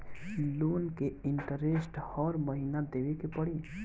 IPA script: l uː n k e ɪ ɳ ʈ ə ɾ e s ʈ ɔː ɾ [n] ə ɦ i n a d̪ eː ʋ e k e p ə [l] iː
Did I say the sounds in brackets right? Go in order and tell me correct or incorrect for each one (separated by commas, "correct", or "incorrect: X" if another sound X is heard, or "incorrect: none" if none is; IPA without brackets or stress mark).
incorrect: m, incorrect: ɽ